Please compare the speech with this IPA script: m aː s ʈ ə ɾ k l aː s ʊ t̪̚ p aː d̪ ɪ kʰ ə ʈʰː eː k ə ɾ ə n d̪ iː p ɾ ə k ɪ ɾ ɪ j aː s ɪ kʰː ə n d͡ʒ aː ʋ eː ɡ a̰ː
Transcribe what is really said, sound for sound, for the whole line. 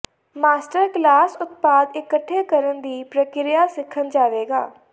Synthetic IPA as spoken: m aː s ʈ ə ɾ k l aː s ʊ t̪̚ p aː d̪ ɪ k ə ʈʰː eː k ə ɾ ə n d̪ iː p ɾ ə k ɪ ɾ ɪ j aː s ɪ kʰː ə n d͡ʒ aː ʋ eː ɡ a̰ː